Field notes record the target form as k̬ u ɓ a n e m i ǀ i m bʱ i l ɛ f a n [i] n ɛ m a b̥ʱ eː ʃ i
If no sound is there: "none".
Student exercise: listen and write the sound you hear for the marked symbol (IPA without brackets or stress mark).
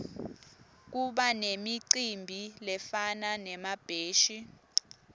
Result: a